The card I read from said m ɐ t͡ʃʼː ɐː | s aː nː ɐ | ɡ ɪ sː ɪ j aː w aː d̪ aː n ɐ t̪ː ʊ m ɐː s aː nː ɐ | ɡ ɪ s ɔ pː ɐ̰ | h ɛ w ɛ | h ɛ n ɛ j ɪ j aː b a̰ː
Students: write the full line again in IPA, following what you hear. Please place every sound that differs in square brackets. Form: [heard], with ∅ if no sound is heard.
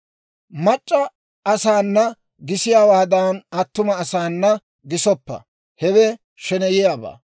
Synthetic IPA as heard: m ɐ t͡ʃʼː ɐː | s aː nː ɐ | ɡ ɪ [s] ɪ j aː w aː d̪ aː n ɐ t̪ː ʊ m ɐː s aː nː ɐ | ɡ ɪ s ɔ pː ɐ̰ | h ɛ w ɛ | [ʃ] ɛ n ɛ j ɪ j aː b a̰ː

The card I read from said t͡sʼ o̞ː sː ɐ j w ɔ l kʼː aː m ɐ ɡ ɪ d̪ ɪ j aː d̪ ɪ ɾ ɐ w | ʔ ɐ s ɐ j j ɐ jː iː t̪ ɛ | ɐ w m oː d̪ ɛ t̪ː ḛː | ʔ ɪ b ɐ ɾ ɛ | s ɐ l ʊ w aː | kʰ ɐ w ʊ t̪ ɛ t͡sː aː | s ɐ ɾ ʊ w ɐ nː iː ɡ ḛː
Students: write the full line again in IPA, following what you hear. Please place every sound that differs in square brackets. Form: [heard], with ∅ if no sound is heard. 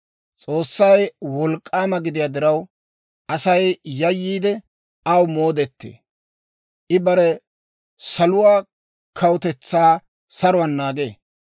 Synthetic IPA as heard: t͡sʼ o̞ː sː ɐ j w ɔ l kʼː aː m ɐ ɡ ɪ d̪ ɪ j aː d̪ ɪ ɾ ɐ w | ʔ ɐ s ɐ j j ɐ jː iː [d̪] ɛ | ɐ w m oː d̪ ɛ t̪ː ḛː | ʔ ɪ b ɐ ɾ ɛ | s ɐ l ʊ w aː | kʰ ɐ w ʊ t̪ ɛ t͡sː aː | s ɐ ɾ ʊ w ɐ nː [aː] ɡ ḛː

